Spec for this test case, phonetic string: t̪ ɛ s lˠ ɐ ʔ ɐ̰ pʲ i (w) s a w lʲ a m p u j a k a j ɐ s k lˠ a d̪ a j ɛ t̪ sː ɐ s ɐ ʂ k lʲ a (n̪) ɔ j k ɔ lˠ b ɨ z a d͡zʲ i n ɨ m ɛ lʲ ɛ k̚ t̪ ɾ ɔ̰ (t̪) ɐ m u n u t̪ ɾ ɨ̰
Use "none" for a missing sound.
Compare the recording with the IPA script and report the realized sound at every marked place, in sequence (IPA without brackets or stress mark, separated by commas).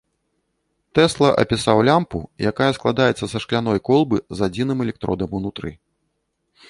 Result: none, n̪, d̪